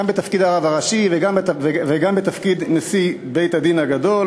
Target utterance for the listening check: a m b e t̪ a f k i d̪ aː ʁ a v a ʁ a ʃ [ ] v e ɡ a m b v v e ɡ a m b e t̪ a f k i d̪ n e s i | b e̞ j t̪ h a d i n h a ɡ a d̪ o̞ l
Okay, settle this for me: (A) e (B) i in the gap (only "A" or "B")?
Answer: B